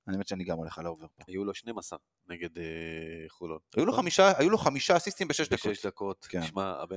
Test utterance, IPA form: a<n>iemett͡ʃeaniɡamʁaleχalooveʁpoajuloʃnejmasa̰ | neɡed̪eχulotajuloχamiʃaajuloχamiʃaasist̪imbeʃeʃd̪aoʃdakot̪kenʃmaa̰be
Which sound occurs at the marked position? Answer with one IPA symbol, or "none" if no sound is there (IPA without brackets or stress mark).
n